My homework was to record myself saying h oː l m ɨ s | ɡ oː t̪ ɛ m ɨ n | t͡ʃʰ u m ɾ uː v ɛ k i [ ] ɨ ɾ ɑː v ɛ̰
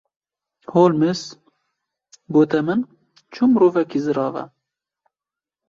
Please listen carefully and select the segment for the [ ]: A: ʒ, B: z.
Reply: B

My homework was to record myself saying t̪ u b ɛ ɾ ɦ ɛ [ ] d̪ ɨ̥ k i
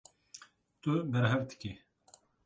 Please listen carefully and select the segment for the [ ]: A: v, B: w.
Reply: A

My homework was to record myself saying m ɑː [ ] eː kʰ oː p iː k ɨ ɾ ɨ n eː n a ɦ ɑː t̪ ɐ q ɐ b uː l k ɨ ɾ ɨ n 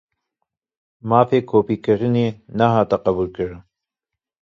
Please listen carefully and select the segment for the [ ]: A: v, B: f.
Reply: B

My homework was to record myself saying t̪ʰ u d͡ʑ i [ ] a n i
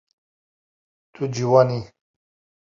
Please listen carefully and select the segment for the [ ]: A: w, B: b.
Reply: A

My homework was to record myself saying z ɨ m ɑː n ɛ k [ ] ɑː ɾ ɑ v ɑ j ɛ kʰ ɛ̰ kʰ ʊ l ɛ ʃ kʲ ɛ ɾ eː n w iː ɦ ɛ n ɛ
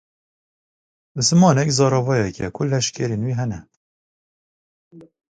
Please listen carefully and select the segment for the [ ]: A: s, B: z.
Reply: B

